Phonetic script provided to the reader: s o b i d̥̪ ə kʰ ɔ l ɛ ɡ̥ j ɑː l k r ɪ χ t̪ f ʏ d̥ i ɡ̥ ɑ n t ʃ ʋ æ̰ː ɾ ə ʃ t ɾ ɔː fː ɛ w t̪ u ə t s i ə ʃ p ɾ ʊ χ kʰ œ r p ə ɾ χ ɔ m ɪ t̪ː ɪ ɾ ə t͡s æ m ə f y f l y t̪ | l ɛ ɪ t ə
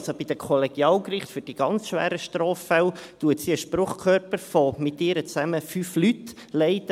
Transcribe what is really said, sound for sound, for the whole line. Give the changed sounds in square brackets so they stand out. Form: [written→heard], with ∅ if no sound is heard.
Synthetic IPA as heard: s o b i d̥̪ ə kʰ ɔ l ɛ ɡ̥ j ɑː l k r ɪ χ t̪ f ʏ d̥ i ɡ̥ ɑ n [t→t͡s] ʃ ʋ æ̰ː ɾ ə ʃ t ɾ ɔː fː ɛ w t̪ u ə t s i ə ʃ p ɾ ʊ χ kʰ œ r p ə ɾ [χ→f] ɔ m ɪ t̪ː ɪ ɾ ə t͡s æ m ə f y f l y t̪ | l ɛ ɪ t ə